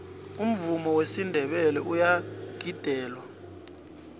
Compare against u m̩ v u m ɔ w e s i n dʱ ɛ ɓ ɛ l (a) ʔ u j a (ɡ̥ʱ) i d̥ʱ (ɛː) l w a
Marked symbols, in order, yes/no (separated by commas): no, yes, yes